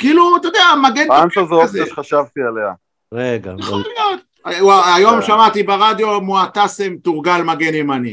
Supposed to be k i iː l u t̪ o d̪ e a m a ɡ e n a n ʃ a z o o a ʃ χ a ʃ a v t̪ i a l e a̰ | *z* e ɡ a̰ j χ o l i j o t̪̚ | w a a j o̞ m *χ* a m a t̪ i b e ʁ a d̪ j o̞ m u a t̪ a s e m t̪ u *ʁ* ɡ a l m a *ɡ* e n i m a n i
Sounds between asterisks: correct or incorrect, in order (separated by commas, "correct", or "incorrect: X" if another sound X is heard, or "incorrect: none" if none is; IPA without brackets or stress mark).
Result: incorrect: ʁ, incorrect: ʃ, correct, correct